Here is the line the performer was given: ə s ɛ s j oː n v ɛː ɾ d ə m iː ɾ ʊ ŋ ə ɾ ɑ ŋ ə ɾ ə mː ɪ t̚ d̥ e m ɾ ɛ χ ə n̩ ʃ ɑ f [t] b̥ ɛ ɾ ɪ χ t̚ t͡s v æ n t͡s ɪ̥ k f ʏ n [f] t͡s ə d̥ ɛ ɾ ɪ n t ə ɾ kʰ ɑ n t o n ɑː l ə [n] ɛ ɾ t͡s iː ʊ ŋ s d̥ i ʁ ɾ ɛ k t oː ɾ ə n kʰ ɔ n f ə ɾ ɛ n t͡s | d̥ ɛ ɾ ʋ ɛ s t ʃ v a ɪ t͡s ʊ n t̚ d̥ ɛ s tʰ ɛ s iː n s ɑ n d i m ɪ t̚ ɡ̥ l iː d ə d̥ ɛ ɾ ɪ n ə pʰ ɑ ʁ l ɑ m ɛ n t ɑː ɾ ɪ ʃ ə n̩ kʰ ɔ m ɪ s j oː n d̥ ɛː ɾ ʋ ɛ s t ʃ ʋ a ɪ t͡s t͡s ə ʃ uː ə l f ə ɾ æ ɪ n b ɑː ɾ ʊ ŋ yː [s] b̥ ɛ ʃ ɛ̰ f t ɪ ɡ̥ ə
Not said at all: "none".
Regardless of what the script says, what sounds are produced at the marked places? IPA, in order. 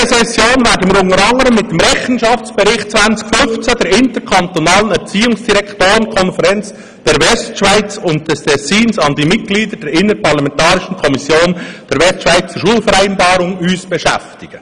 t͡s, f, n, s

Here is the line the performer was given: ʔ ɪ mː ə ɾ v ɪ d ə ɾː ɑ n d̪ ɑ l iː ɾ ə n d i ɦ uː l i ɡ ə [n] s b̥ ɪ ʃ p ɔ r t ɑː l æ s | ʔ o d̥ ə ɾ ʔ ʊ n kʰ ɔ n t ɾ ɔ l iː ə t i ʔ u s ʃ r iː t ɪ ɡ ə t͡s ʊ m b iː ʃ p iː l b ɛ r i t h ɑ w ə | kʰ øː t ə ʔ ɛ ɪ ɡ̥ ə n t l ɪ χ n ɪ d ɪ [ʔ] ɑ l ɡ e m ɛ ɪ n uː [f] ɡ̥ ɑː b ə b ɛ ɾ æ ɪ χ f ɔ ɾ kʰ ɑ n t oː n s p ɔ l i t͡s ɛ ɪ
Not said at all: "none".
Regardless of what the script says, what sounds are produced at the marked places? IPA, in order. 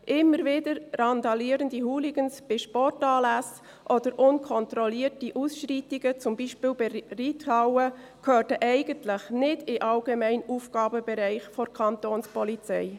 n, ʔ, f

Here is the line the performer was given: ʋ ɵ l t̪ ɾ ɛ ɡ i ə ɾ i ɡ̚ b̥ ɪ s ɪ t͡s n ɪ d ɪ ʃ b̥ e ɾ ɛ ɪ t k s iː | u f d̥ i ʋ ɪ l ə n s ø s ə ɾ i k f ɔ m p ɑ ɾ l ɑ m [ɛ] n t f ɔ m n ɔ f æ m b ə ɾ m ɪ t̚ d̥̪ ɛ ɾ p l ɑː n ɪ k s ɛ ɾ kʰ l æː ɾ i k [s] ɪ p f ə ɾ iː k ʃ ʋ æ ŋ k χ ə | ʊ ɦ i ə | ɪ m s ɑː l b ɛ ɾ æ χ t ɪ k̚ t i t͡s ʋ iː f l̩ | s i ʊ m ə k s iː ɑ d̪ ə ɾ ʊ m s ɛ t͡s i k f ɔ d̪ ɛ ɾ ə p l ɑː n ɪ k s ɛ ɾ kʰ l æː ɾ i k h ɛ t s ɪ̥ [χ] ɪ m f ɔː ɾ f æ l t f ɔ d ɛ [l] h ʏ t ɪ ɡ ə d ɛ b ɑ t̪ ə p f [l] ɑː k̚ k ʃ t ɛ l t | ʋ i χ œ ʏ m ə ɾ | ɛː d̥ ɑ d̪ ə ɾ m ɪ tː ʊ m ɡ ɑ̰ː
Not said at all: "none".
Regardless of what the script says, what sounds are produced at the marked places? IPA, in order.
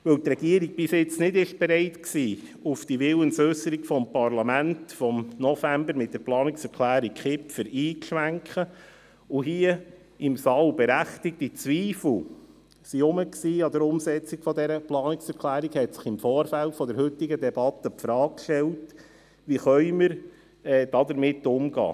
æ, χ, χ, ɾ, ɾ

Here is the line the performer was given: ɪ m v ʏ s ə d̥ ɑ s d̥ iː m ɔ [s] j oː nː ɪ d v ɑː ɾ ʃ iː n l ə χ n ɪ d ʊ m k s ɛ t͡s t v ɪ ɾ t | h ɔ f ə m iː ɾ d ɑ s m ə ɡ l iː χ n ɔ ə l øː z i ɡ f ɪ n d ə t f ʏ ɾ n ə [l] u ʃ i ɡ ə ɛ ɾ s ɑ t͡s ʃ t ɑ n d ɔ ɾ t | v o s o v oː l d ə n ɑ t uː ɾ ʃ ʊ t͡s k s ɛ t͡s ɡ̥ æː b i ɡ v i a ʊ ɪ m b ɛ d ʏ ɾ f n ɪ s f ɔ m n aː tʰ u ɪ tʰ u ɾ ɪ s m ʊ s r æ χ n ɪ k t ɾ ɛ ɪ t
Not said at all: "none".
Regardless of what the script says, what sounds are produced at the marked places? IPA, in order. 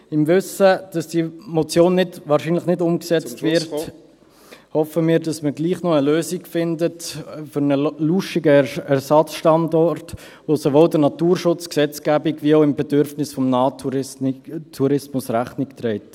t͡s, l

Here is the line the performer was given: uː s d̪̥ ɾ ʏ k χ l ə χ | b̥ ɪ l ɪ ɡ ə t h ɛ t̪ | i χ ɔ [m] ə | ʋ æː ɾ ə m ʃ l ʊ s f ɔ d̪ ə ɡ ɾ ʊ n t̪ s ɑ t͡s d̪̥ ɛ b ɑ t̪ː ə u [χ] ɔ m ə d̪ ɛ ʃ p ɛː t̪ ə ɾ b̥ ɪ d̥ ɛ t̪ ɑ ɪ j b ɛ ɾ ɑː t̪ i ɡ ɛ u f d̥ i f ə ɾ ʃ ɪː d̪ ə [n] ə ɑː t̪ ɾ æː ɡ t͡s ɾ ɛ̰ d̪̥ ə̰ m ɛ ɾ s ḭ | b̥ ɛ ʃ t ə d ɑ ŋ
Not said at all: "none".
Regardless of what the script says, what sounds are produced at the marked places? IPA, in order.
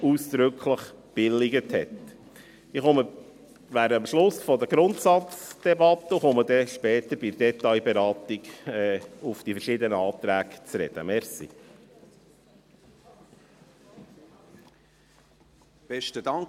m, χ, n

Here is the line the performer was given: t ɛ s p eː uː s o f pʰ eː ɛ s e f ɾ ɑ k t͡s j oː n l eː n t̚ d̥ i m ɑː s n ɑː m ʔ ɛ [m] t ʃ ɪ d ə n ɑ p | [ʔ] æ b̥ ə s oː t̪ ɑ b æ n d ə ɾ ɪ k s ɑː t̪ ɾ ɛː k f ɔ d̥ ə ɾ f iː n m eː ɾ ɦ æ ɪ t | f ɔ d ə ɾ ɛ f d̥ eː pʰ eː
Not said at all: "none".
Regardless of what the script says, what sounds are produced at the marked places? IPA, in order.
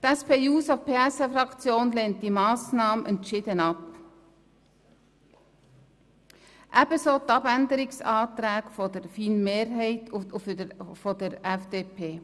n, ʔ

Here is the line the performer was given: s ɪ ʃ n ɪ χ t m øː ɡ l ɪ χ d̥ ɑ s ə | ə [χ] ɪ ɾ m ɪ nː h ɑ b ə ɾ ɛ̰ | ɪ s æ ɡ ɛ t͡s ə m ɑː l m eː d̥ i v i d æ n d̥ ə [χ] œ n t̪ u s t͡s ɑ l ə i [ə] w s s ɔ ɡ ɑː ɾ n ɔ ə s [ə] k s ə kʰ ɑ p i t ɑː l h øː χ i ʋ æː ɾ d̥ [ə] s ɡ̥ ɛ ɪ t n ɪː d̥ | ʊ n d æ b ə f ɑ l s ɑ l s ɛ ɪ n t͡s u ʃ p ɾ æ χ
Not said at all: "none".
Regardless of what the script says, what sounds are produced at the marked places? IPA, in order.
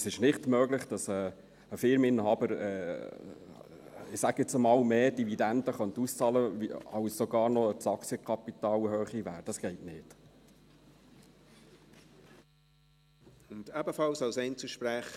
f, χ, ɑ, ɑ, ɑ

